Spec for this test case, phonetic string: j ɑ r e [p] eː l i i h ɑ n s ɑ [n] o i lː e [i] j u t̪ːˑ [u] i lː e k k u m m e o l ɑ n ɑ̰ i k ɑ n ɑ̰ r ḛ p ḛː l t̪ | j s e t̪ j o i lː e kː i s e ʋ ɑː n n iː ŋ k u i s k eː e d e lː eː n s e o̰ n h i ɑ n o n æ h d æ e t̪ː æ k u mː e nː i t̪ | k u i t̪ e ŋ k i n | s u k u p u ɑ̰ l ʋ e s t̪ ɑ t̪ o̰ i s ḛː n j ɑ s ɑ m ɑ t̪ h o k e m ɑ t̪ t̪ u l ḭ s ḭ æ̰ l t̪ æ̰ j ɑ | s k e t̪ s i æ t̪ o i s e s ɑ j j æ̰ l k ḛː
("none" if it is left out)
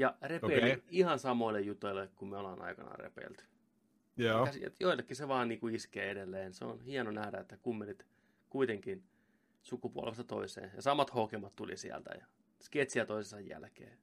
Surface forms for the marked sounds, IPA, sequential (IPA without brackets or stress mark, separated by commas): p, m, j, o